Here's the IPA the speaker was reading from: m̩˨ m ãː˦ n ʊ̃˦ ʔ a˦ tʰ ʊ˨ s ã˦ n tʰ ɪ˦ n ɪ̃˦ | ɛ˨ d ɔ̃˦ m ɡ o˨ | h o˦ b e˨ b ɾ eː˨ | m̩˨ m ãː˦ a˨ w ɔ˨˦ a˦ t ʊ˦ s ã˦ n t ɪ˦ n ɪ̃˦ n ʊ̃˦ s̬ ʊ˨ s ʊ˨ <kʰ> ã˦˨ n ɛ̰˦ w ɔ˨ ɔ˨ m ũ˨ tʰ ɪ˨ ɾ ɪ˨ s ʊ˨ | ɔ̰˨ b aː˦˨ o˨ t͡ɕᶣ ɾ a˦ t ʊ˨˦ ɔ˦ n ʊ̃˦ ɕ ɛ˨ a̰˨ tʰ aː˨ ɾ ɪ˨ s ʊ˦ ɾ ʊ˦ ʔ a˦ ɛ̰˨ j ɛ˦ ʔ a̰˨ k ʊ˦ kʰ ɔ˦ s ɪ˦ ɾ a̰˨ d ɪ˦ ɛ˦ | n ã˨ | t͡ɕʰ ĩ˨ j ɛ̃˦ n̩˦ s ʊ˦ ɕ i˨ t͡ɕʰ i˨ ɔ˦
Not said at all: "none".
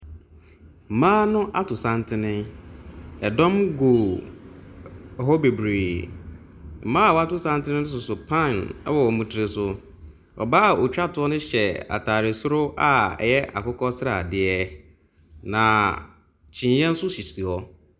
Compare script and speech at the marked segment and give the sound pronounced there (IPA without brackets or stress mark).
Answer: pʰ